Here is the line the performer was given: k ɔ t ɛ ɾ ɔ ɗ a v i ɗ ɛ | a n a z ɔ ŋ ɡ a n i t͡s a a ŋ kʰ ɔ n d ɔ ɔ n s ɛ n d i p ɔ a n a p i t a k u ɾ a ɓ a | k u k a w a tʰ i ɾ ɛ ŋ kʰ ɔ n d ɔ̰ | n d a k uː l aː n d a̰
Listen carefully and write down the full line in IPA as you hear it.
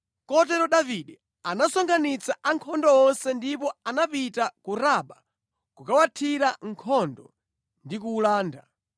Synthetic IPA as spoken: k ɔ t ɛ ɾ ɔ ɗ a v i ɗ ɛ | a n a s ɔ ŋ ɡ a n i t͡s a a ŋ kʰ ɔ n d ɔ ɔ n s ɛ n d i p ɔ a n a p i t a k u ɾ a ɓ a | k u k a w a tʰ i ɾ a ŋ kʰ ɔ n d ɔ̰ | n d i k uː l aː n d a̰